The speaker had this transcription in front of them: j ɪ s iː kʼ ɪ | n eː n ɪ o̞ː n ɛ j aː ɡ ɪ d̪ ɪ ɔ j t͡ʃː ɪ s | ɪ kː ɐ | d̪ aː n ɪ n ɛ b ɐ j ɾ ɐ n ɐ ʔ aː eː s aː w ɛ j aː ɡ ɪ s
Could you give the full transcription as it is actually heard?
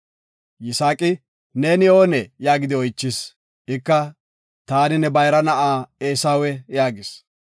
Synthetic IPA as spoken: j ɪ s aː kʼ ɪ | n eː n ɪ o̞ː n ɛ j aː ɡ ɪ d̪ ɪ ɔ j t͡ʃː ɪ s | ɪ kː ɐ | t̪ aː n ɪ n ɛ b ɐ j ɾ ɐ n ɐ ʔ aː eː s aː w ɛ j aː ɡ ɪ s